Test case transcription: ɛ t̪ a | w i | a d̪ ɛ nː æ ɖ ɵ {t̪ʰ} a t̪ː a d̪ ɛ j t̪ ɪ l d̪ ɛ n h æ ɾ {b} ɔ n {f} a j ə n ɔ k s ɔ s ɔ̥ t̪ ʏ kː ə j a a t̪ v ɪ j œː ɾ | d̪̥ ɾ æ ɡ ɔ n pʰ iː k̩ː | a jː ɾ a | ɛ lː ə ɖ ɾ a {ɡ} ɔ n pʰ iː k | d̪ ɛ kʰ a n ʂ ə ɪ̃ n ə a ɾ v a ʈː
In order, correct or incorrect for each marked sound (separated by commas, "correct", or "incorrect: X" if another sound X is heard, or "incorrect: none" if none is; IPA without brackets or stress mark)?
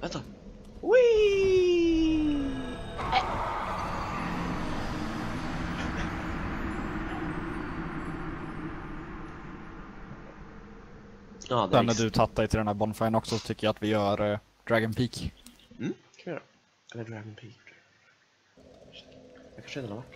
correct, correct, correct, correct